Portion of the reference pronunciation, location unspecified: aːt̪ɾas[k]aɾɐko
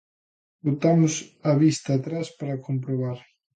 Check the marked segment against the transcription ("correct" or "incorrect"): incorrect